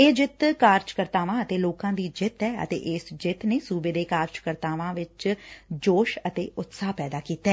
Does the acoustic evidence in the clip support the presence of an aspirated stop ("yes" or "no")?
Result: no